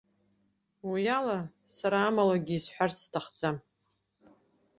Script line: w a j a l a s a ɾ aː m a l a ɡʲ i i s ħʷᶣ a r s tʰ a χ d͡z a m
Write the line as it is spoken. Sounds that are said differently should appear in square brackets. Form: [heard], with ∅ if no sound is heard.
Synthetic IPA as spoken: w [i] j a l a s a ɾ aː m a l a ɡʲ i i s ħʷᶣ a r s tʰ a χ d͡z a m